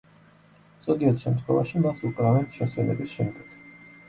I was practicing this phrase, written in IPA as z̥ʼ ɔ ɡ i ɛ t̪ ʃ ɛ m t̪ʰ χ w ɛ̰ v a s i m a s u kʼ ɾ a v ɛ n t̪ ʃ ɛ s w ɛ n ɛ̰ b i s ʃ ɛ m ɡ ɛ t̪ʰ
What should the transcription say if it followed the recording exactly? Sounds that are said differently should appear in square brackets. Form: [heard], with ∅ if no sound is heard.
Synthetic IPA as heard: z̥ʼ ɔ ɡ i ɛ t̪ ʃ ɛ m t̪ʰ χ w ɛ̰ v a [ʃ] i m a s u kʼ ɾ a v ɛ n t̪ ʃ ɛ s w ɛ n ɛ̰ b i s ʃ ɛ m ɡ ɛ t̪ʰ